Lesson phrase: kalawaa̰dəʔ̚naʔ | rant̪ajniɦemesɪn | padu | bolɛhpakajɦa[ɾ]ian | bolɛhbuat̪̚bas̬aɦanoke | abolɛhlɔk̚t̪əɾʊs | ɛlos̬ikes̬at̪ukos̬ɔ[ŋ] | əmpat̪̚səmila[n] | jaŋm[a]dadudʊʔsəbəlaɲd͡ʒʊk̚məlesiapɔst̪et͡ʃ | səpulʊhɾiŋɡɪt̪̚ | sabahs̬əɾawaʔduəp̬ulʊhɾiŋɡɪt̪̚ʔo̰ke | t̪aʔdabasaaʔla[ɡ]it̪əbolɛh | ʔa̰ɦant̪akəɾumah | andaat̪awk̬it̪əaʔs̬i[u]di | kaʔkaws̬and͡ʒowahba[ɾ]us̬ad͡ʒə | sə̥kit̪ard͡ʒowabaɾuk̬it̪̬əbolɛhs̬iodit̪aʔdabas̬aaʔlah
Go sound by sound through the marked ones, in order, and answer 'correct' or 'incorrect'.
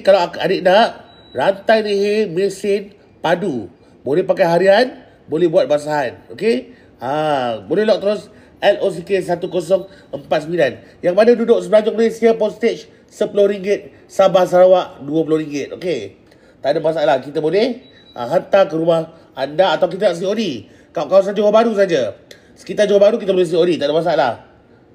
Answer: correct, correct, correct, correct, incorrect: k, incorrect: o, correct

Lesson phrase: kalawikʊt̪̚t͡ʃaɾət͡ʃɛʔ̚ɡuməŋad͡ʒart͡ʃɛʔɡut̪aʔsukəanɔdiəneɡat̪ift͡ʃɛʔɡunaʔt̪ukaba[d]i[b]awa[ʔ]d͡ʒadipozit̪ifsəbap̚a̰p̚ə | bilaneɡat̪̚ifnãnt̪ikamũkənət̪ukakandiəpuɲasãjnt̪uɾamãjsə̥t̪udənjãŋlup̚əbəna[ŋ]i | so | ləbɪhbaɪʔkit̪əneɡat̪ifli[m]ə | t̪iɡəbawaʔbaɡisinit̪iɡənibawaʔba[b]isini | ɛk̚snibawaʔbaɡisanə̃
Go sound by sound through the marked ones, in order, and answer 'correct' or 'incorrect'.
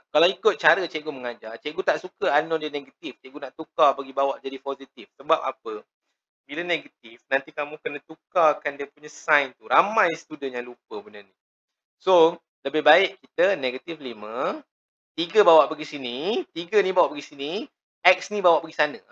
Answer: incorrect: ɡ, correct, correct, incorrect: n, correct, incorrect: ɡ

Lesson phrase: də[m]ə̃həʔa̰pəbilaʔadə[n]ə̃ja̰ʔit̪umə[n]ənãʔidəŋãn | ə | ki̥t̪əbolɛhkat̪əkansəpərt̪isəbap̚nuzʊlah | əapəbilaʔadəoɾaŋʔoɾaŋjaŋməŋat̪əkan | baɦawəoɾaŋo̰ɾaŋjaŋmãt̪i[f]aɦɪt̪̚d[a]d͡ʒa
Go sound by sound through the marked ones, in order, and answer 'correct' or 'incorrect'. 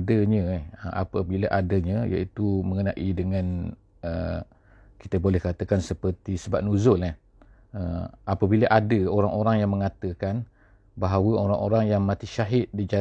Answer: incorrect: ɲ, incorrect: ɲ, incorrect: ŋ, incorrect: ʃ, incorrect: i

